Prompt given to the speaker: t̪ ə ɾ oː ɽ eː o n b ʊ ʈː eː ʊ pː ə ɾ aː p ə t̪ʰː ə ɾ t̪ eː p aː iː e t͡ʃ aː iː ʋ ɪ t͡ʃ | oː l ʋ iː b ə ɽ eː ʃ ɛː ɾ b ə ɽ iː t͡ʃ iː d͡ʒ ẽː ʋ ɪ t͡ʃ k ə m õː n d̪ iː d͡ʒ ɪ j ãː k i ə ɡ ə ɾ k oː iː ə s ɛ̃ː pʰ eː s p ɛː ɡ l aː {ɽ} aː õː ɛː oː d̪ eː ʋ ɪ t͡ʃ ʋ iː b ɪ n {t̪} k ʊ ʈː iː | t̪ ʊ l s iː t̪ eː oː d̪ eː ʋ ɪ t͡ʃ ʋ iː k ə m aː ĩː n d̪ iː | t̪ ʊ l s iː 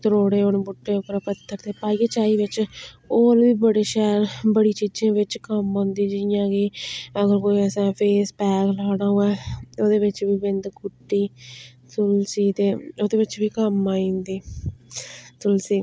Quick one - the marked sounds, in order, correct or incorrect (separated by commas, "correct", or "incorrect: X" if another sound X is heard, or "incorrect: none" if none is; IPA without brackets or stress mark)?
correct, incorrect: d̪